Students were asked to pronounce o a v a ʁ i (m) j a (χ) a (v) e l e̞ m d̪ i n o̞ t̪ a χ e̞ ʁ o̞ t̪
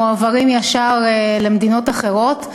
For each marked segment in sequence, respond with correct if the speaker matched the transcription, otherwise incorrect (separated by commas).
correct, incorrect, incorrect